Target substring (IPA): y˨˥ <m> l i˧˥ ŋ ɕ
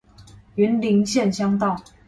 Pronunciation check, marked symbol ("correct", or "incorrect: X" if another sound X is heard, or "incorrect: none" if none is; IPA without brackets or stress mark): incorrect: n